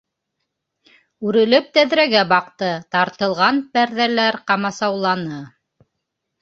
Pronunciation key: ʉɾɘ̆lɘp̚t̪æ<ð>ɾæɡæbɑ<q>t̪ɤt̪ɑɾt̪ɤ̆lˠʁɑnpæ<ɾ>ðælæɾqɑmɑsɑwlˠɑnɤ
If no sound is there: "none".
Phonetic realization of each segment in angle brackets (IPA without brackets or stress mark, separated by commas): ð, q, ɾ